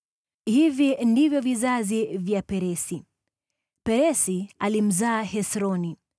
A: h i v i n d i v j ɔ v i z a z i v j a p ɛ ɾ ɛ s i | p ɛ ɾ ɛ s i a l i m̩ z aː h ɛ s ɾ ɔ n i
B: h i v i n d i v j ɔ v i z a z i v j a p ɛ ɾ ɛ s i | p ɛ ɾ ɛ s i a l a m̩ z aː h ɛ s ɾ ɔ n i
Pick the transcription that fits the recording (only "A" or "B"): A